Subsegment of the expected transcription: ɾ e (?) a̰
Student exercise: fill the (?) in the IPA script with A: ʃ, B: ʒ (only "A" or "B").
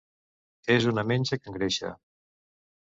A